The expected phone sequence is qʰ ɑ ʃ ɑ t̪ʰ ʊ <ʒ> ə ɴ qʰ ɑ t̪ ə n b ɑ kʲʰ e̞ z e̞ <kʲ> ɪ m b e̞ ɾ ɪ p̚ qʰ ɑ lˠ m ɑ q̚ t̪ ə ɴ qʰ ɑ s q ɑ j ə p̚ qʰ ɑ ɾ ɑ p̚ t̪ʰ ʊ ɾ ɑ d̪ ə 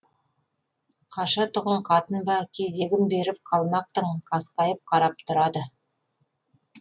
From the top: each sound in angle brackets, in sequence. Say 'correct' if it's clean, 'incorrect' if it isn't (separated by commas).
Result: incorrect, incorrect